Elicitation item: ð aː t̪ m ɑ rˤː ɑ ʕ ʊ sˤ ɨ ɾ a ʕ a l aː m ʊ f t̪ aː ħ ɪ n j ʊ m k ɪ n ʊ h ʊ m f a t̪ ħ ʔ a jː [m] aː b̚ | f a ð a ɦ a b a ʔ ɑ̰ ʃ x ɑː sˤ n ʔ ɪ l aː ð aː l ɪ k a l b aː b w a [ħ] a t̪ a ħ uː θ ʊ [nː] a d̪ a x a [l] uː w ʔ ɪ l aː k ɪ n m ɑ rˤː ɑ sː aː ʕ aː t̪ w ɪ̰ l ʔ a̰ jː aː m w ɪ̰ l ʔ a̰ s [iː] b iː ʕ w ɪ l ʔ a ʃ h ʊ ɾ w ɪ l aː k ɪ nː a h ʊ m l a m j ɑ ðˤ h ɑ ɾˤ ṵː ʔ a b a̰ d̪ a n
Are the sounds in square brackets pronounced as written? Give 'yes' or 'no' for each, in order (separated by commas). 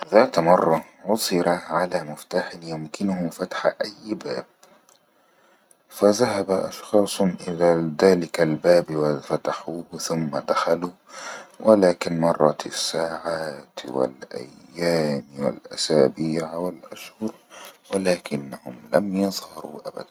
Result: no, no, no, yes, no